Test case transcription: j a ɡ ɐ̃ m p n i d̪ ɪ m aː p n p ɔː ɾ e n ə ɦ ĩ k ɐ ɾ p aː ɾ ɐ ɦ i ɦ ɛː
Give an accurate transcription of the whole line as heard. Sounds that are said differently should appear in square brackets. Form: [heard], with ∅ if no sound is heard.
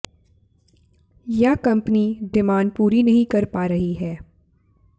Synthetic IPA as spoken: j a [k] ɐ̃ m p n i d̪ ɪ m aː [∅] n p [uː] ɾ [i] n [ɐ] ɦ ĩ k ɐ ɾ p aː ɾ ɐ ɦ i ɦ ɛː